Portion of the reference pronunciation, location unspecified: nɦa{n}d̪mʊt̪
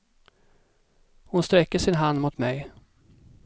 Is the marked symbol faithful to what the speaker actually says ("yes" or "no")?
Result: yes